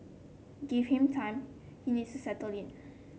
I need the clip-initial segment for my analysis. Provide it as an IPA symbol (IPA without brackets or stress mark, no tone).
ɡ